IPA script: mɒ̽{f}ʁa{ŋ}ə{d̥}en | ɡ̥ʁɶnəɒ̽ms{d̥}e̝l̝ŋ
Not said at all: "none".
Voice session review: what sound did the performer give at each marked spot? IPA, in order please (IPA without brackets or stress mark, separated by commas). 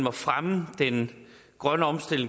f, m, d̥, d̥